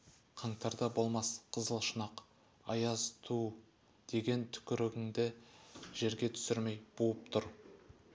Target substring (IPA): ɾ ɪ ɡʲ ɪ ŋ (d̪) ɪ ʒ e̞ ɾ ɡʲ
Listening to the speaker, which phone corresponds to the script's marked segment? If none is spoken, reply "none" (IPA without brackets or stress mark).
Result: d̪